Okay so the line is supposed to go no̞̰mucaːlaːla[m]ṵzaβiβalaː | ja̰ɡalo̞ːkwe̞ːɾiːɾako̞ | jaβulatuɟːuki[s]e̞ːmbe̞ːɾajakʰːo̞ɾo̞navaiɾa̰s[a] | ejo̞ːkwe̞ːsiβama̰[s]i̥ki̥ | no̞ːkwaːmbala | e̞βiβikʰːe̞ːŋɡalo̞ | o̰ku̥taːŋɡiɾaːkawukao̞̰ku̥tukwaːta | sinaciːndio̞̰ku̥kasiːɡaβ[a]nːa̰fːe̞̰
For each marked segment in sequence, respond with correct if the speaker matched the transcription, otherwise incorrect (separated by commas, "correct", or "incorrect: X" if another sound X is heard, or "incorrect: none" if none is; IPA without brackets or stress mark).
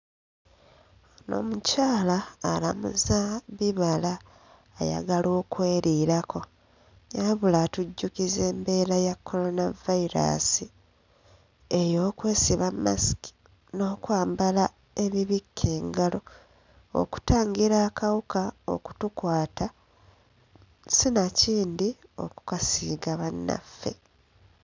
correct, incorrect: z, incorrect: i, correct, correct